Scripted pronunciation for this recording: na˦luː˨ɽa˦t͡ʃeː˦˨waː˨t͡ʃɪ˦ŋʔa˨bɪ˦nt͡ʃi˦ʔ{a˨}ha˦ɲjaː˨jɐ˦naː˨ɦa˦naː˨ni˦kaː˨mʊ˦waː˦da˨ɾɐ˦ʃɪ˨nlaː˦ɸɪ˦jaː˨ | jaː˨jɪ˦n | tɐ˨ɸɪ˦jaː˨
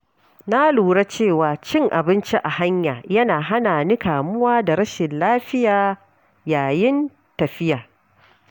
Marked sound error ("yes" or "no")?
no